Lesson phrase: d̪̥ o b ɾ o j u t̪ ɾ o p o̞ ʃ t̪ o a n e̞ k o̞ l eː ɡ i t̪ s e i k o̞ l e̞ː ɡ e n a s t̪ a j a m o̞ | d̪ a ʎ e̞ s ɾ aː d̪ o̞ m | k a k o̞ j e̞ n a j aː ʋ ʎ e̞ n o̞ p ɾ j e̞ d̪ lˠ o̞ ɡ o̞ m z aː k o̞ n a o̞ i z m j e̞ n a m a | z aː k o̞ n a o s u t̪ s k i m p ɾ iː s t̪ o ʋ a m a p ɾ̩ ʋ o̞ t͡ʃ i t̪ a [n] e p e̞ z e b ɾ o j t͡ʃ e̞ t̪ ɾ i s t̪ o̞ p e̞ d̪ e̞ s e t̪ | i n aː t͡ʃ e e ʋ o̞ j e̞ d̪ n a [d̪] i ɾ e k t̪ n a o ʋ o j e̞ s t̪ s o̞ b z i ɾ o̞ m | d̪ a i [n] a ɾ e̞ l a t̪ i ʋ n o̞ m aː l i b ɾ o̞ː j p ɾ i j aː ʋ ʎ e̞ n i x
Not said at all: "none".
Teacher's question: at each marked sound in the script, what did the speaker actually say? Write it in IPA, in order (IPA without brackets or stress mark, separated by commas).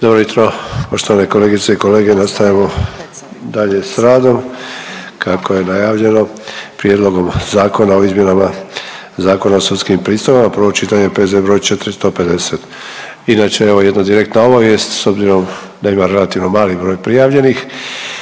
ɲ, d̪, m